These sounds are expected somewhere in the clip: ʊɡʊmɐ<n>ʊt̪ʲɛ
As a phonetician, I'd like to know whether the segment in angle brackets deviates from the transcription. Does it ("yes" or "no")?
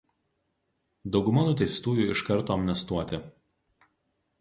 no